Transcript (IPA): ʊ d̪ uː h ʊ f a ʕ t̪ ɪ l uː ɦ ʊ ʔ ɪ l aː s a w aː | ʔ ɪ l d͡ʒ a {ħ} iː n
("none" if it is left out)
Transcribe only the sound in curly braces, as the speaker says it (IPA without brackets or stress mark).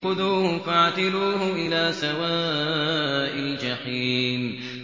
ħ